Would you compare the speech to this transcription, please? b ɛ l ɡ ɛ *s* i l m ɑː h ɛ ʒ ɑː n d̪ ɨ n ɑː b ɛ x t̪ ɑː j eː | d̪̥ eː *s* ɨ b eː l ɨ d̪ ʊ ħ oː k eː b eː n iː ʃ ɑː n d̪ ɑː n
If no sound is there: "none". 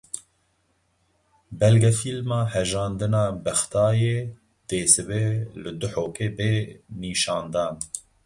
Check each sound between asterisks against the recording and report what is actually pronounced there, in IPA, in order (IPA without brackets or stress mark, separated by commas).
f, s